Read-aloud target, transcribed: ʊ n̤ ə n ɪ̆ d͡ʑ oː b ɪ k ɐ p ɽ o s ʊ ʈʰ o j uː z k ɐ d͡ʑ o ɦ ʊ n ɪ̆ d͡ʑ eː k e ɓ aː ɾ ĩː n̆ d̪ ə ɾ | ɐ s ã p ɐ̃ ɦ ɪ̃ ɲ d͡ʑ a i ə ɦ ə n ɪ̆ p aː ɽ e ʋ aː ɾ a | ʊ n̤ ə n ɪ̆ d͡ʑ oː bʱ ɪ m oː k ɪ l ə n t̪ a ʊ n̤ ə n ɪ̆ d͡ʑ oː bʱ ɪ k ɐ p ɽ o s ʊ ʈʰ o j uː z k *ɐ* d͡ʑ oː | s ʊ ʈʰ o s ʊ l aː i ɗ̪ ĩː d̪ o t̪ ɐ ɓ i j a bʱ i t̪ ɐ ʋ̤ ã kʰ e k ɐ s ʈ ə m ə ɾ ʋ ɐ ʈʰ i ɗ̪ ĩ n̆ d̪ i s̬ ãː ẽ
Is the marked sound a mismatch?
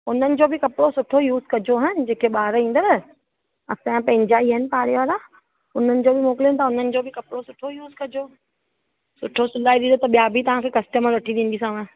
no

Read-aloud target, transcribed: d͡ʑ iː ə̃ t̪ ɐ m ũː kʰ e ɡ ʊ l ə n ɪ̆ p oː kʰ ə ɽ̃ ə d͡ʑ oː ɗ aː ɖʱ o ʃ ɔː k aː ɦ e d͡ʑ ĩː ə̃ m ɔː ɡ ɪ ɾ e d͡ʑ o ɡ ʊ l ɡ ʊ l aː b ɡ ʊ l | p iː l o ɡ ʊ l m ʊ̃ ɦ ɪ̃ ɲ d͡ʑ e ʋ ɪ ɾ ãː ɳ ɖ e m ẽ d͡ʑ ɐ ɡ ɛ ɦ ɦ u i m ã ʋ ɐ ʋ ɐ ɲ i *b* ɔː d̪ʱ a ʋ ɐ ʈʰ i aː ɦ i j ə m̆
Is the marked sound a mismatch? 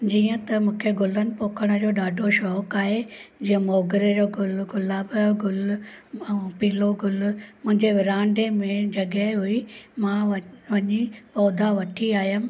yes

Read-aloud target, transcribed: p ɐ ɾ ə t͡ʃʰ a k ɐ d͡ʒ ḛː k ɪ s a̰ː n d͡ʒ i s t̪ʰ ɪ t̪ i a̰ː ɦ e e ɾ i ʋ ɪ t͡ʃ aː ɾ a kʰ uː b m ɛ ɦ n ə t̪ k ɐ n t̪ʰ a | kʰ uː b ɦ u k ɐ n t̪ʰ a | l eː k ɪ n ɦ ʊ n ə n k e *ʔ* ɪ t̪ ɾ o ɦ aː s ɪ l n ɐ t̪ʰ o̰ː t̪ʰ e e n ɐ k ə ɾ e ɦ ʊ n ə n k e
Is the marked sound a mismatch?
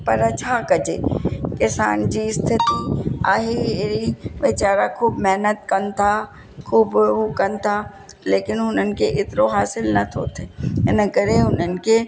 no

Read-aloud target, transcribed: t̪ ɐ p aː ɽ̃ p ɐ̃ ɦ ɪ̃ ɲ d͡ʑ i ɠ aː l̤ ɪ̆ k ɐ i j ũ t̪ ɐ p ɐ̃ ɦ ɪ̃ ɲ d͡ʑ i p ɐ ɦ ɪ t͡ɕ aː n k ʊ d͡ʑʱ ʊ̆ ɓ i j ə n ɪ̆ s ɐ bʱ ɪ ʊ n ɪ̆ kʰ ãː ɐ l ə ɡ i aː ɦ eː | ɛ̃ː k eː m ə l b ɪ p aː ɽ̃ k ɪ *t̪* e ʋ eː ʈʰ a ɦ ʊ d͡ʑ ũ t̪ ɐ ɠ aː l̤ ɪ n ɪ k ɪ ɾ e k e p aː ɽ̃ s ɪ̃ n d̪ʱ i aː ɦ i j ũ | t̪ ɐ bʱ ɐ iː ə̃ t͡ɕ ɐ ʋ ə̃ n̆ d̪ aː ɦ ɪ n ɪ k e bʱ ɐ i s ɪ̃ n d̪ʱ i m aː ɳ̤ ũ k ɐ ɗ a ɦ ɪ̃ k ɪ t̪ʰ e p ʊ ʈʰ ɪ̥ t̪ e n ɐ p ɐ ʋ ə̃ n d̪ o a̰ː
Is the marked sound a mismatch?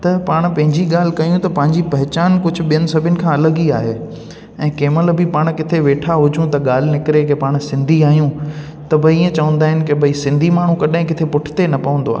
yes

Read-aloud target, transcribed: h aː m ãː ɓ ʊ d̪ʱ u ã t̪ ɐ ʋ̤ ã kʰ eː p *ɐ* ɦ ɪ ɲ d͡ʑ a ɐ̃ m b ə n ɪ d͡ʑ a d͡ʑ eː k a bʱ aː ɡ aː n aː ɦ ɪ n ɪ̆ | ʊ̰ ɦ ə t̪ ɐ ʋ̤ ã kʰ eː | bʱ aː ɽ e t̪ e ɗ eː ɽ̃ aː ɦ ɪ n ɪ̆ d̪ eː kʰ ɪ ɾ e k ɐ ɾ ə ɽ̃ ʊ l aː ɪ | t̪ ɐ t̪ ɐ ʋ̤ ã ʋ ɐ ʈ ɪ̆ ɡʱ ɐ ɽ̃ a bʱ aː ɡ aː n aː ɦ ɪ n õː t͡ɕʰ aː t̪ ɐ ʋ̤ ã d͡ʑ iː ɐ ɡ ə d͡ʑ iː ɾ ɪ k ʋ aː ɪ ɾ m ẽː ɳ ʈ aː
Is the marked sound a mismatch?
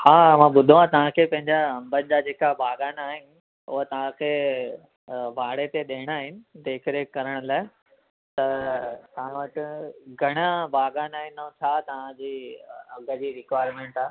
yes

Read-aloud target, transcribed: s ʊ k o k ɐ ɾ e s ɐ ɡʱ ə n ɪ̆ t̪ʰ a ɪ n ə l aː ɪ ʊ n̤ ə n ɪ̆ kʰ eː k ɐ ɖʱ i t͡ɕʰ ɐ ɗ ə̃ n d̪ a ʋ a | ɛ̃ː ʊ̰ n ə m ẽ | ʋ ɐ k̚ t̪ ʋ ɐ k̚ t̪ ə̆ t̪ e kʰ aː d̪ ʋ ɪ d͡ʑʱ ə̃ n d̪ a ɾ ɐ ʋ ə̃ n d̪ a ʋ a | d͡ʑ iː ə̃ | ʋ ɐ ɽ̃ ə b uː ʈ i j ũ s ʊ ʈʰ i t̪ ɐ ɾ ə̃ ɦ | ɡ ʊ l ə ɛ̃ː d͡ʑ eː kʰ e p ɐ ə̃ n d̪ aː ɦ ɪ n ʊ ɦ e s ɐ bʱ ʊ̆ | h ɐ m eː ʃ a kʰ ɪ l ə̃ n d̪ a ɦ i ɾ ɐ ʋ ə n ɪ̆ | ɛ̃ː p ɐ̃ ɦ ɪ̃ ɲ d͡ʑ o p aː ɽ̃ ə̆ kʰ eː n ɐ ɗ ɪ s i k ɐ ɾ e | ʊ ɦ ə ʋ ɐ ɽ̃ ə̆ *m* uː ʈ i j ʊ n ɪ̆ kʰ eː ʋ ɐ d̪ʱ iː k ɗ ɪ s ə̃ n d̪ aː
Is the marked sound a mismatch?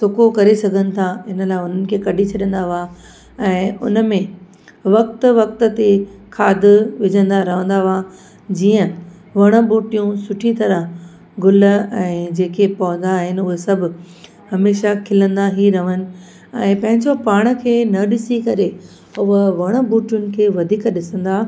yes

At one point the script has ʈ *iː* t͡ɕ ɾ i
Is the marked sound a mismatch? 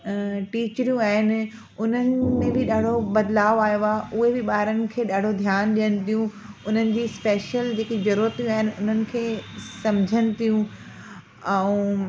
no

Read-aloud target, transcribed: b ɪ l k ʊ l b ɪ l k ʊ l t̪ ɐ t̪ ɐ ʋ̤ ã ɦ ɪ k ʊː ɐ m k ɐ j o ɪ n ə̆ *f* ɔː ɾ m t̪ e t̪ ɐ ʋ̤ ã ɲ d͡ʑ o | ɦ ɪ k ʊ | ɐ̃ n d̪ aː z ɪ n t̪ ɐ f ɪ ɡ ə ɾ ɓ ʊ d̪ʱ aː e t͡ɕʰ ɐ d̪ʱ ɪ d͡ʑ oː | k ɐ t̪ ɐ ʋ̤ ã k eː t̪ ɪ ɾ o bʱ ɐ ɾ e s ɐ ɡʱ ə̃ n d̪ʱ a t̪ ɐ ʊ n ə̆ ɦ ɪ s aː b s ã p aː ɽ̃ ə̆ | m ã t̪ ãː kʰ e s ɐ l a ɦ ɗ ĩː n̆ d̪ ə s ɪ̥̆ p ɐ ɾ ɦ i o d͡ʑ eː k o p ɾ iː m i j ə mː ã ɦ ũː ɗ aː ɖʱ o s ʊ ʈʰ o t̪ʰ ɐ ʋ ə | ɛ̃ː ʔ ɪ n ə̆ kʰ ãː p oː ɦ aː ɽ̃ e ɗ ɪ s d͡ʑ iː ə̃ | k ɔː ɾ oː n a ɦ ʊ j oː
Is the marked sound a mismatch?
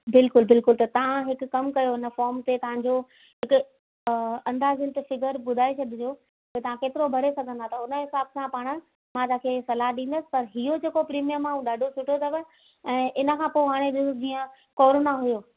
no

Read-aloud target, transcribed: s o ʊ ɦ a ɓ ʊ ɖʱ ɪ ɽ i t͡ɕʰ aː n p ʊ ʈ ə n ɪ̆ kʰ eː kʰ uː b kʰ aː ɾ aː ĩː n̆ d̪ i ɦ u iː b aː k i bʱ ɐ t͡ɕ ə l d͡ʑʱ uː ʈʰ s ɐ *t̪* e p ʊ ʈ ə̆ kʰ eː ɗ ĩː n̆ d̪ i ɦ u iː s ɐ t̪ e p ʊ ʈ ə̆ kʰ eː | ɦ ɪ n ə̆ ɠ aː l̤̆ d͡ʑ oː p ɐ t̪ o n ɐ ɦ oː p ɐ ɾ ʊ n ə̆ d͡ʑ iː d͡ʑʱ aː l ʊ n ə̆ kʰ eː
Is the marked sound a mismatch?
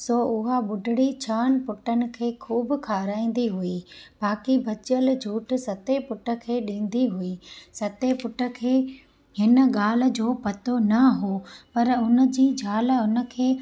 no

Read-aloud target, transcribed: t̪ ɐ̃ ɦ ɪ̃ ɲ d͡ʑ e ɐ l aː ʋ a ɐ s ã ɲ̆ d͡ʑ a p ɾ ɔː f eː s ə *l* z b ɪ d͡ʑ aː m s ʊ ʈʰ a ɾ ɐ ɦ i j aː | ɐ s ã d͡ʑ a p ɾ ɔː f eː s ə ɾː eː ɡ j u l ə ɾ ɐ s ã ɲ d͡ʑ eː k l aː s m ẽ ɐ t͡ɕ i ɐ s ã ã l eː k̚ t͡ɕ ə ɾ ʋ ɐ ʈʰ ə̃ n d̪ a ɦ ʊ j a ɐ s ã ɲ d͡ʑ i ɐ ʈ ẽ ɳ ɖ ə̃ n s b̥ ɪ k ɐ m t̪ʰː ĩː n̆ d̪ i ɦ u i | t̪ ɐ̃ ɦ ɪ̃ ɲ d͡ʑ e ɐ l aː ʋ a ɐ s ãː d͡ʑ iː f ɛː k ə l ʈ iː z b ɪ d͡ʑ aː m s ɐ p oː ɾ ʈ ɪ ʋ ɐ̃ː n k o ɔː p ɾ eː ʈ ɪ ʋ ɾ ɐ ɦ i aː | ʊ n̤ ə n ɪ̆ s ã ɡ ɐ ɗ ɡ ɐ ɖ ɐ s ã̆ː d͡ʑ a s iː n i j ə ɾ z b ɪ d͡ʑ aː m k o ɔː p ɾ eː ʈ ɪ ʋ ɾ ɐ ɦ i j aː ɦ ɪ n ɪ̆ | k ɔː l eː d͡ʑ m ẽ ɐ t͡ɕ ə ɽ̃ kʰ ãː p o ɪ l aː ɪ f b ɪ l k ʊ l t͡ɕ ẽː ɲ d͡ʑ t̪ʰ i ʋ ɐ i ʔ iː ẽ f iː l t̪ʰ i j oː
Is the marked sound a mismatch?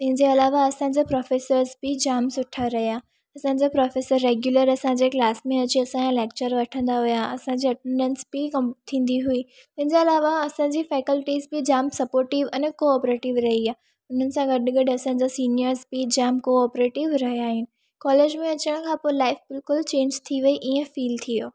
yes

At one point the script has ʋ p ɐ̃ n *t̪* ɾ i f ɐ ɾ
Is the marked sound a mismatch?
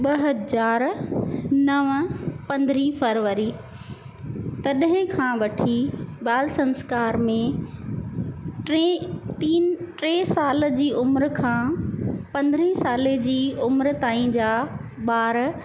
yes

